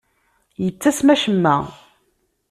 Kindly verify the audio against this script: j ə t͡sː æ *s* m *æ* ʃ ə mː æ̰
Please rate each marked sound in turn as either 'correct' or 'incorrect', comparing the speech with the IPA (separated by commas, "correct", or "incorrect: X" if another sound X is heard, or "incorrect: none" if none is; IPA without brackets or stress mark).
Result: correct, correct